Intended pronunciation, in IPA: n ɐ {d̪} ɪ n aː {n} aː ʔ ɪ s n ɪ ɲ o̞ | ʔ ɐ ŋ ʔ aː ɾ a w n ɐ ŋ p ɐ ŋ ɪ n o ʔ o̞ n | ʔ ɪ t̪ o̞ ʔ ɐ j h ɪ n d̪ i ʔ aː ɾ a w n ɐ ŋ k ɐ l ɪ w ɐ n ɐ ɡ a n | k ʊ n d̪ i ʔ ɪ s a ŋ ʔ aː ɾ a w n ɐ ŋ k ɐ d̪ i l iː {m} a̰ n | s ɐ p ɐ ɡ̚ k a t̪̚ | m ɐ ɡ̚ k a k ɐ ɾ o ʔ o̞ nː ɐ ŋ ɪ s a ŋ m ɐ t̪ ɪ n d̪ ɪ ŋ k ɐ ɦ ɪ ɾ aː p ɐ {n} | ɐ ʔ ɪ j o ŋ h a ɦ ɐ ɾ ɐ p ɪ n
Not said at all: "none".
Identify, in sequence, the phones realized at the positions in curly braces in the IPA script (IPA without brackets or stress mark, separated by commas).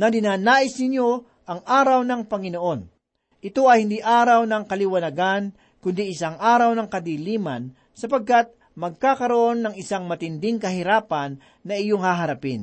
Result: d̪, n, m, nː